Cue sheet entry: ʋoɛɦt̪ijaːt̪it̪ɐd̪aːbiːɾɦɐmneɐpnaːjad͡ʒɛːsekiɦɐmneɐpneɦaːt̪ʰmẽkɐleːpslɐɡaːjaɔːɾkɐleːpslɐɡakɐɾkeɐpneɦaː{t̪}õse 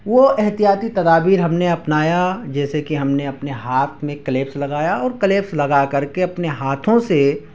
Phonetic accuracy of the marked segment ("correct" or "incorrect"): incorrect